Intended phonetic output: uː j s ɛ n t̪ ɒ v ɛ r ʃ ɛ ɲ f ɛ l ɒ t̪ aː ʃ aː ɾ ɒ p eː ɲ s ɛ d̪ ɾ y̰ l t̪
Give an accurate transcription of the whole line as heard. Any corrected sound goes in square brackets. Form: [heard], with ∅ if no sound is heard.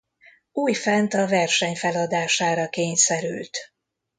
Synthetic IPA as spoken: uː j [f] ɛ n t̪ ɒ v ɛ r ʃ ɛ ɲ f ɛ l ɒ [d̪] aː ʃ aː ɾ ɒ [k] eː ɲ s ɛ [∅] ɾ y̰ l t̪